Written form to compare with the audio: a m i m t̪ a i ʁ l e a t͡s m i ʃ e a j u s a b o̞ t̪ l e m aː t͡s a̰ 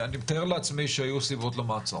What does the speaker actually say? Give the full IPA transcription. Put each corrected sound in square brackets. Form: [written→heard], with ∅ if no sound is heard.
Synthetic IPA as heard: a [m→n] i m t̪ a [i→e] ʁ l e a t͡s m i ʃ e a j u s [a→i] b o̞ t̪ l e m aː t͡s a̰